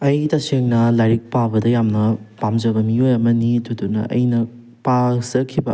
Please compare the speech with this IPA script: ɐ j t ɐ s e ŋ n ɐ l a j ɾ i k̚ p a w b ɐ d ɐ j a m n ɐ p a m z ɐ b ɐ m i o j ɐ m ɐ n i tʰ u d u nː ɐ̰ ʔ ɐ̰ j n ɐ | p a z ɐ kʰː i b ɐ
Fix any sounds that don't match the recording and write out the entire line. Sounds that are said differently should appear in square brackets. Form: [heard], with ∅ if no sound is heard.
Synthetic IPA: ɐ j t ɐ s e ŋ n ɐ l a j ɾ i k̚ p a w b ɐ d ɐ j a m n ɐ p a m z ɐ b ɐ m i o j ɐ m ɐ n i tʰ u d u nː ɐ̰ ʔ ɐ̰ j n ɐ | p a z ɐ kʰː i b ɐ